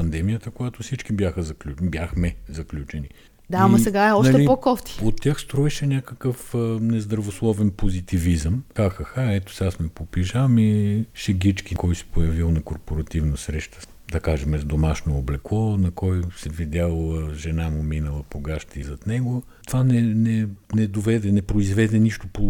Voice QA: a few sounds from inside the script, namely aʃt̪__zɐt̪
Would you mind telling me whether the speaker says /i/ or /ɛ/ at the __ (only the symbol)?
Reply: i